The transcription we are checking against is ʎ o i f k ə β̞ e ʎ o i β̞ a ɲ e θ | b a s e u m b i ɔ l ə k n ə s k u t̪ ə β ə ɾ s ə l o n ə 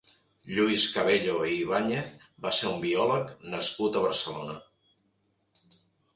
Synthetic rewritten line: ʎ u i s k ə β̞ e ʎ o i β̞ a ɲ e θ | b a s e u m b i ɔ l ə k n ə s k u t̪ ə β ə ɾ s ə l o n ə